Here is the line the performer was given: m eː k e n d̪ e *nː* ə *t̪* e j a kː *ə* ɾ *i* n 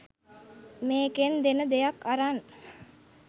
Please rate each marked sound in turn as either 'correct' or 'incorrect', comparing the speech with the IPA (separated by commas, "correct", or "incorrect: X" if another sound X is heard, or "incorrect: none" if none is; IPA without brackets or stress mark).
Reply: incorrect: n, incorrect: d̪, incorrect: a, incorrect: a